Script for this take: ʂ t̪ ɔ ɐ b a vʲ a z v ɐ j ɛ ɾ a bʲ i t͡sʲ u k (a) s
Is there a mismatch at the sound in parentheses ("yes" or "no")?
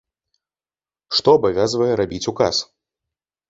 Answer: no